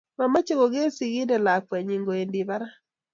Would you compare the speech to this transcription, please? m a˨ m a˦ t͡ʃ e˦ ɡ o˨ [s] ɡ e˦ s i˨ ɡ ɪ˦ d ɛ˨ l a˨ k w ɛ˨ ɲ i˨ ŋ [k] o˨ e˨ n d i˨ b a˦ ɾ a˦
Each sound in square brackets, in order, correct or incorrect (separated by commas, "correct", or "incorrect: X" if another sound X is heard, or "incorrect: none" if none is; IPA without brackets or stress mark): incorrect: none, incorrect: ɡ